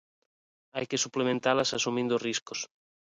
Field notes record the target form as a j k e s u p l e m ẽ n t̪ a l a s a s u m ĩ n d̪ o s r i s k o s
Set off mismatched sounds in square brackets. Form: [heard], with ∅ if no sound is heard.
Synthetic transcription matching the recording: a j k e s u p l e m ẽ n t̪ a l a s a s u m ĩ n d̪ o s r i s k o s